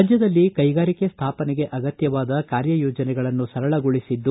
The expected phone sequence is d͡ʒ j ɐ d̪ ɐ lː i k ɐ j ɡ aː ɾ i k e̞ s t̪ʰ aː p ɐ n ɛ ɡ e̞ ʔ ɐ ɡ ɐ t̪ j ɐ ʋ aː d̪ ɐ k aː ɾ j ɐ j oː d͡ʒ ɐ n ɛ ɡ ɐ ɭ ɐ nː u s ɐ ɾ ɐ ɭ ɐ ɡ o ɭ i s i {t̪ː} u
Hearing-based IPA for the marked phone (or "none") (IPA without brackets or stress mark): d̪ː